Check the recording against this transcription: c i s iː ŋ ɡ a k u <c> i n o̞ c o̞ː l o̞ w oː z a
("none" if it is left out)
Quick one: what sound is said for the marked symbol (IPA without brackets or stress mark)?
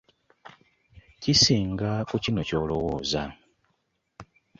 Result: c